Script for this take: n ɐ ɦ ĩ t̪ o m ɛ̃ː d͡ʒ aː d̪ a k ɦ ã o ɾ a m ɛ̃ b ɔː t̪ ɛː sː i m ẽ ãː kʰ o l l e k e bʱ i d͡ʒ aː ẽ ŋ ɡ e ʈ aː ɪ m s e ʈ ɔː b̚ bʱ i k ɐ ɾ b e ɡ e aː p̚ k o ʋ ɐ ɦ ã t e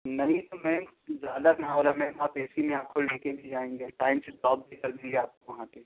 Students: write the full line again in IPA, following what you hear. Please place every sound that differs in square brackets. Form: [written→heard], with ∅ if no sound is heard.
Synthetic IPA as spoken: n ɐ ɦ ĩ t̪ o m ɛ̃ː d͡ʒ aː d̪ a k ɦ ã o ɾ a m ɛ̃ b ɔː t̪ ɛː [sː→s] i m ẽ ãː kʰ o l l e k e bʱ i d͡ʒ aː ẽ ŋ ɡ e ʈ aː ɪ m s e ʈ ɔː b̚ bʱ i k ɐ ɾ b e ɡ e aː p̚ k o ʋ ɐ ɦ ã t e